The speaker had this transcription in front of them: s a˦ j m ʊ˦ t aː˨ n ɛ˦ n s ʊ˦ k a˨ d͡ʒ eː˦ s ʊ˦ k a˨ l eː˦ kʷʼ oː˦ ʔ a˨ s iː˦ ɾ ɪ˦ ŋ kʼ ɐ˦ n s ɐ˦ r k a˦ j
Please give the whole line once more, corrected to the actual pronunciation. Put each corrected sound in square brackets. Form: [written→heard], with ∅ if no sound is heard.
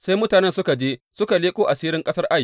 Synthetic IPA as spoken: s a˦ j m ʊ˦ t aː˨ n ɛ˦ n s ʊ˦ k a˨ d͡ʒ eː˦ s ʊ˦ k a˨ l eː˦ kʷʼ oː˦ ʔ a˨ s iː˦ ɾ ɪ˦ ŋ kʼ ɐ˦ [n→∅] s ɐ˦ r [k→ʔ] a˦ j